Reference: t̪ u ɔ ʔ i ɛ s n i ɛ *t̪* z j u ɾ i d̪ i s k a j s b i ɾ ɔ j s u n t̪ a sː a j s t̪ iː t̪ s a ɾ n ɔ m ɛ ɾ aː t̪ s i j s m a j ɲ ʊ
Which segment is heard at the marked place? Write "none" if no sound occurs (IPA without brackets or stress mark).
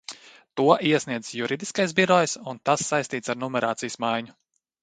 d̪